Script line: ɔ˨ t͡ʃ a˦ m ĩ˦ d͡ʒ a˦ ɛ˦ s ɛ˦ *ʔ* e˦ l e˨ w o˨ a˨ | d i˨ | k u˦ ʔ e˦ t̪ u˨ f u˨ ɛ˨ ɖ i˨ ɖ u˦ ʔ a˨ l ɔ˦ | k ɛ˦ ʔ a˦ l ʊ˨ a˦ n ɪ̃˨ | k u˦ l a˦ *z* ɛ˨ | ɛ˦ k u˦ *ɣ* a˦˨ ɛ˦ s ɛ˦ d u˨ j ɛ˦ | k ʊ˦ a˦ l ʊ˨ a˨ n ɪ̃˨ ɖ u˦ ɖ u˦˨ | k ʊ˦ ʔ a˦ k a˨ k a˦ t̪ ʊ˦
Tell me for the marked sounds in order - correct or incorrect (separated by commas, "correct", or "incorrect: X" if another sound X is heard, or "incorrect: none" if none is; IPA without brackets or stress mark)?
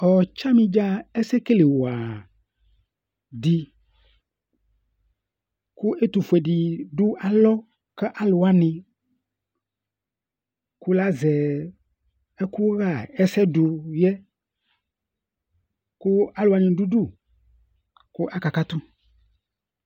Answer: incorrect: k, correct, correct